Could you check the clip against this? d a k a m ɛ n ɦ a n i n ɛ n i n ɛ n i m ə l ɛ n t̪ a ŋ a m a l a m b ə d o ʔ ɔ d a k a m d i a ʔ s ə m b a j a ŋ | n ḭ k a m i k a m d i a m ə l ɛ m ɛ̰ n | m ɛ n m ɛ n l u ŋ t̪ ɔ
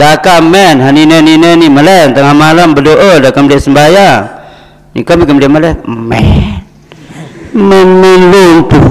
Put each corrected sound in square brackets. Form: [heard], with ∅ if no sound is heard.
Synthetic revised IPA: d a k a m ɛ n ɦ a n i n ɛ n i n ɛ n i m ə l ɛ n t̪ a ŋ a m a l a m b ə d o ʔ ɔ d a k a m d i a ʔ s ə m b a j a ŋ | n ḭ k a m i k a m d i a m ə l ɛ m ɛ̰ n | m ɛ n m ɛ n l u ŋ t̪ [u]

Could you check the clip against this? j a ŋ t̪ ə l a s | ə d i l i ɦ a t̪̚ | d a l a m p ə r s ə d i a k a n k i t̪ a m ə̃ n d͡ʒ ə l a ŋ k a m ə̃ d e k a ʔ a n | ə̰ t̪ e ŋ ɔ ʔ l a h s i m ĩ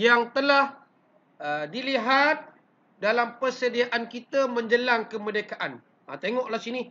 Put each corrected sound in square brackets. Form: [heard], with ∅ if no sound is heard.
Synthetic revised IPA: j a ŋ t̪ ə l a [h] | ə d i l i ɦ a t̪̚ | d a l a m p ə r s ə d i a [ʔ] a n k i t̪ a m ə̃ [ɲ] d͡ʒ ə l a ŋ k [ə] m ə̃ d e k a ʔ a n | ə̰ t̪ e ŋ ɔ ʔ l a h s i [n] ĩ

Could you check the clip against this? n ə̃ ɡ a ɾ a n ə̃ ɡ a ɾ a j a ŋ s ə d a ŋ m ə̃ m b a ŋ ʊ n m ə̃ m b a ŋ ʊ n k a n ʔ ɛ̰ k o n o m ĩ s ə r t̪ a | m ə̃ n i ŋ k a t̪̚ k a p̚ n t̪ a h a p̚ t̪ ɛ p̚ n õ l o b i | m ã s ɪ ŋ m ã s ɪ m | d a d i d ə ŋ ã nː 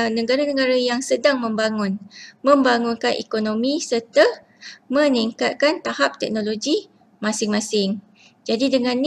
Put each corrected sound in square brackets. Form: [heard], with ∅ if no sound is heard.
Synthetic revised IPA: n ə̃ ɡ a ɾ a n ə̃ ɡ a ɾ a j a ŋ s ə d a ŋ m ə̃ m b a ŋ ʊ n m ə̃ m b a ŋ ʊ n k a n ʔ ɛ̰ k o n o m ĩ s ə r t̪ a | m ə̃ n i ŋ k a t̪̚ k a [∅] n t̪ a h a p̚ t̪ ɛ [k̚] n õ l o [ɡ] i | m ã s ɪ ŋ m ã s ɪ [ŋ] | [d͡ʒ] a d i d ə ŋ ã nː

